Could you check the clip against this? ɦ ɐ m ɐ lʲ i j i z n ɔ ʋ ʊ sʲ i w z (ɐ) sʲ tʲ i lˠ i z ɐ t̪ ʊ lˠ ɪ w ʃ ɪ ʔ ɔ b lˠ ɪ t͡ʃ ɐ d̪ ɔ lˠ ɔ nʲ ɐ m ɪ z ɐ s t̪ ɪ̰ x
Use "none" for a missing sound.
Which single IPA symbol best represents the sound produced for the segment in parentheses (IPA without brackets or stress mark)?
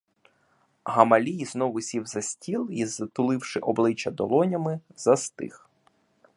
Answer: ɐ